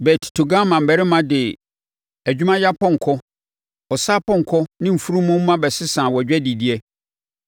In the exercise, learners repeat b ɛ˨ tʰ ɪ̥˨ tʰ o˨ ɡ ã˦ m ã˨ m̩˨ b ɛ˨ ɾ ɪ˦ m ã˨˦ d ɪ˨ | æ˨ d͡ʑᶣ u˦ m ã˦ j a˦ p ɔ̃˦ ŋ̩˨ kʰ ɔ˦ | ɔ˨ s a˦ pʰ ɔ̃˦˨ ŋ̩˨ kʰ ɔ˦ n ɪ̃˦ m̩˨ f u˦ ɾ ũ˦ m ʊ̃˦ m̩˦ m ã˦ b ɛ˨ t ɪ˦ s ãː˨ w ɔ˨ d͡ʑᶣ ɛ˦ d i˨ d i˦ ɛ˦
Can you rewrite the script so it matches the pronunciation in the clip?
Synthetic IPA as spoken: b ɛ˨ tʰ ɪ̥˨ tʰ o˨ ɡ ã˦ m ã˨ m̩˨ b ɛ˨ ɾ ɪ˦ m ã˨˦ d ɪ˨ | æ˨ d͡ʑᶣ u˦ m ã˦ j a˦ p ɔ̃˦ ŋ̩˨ kʰ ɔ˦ | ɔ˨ s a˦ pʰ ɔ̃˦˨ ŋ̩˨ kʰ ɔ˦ n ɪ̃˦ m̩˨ f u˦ ɾ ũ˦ m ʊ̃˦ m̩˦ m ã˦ b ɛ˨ s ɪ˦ s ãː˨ w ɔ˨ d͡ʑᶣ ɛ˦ d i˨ d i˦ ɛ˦